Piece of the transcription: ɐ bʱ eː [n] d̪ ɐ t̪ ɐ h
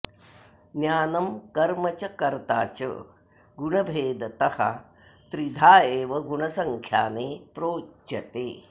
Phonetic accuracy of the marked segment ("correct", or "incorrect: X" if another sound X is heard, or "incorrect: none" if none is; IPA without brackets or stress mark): incorrect: none